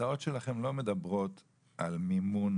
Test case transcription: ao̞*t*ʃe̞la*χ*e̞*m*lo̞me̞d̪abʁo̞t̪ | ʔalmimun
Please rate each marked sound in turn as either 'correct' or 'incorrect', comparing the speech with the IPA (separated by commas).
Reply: correct, correct, correct